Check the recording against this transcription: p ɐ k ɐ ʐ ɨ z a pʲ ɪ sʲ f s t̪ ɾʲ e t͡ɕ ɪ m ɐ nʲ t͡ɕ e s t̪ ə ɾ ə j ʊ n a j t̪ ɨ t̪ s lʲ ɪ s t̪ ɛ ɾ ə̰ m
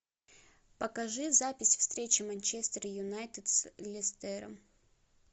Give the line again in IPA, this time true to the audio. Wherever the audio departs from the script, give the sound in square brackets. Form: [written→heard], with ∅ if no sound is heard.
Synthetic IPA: p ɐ k ɐ ʐ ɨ z a pʲ ɪ sʲ f s t̪ ɾʲ e t͡ɕ ɪ m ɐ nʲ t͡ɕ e s t̪ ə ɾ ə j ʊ n a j t̪ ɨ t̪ s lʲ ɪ s t̪ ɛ ɾ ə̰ m